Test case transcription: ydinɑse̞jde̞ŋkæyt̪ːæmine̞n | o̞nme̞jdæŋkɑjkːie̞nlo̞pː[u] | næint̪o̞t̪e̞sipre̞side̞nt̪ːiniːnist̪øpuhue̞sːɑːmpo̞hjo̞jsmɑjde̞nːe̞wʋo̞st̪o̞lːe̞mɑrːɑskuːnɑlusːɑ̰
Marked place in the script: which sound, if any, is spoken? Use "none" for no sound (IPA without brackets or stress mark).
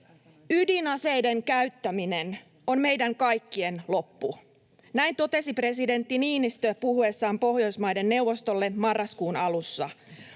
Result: u